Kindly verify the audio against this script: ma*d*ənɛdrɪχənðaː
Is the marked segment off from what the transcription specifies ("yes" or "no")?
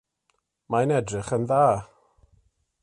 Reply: yes